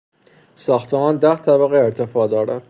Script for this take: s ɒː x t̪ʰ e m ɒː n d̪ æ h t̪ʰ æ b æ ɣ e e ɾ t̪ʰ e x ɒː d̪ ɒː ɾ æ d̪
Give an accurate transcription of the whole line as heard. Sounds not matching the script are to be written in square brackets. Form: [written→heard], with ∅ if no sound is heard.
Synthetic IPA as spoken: s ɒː x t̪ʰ e m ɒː n d̪ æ h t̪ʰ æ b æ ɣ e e ɾ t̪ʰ e [x→f] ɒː d̪ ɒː ɾ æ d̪